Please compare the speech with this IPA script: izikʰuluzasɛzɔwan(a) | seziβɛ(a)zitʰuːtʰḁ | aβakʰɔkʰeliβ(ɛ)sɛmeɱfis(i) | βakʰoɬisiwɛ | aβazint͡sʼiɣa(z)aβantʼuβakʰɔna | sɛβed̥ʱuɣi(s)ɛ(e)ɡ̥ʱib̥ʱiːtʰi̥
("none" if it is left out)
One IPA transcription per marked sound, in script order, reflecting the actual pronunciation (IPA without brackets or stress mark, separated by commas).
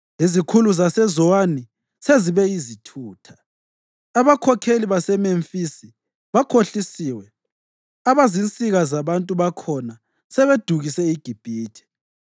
i, i, a, i, z, s, i